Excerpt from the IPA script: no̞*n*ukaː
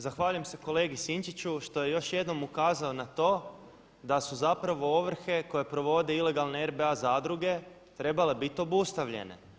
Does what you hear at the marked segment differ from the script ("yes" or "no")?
yes